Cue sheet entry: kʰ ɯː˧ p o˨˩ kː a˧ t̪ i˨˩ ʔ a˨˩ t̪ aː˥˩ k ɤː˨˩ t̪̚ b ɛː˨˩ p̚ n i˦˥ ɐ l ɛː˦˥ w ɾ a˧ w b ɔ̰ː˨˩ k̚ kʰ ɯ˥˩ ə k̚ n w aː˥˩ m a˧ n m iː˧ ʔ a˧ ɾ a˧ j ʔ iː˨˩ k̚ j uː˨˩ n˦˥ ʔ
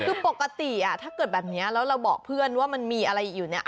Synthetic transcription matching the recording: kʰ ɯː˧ p o˨˩ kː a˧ t̪ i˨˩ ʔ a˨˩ t̪ʰ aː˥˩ k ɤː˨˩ t̪̚ b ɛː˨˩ p̚ n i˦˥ ɐ l ɛː˦˥ w ɾ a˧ w b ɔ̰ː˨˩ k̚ pʰ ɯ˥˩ ə n w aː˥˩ m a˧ n m iː˧ ʔ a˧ ɾ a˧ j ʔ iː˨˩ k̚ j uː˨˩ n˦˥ ʔ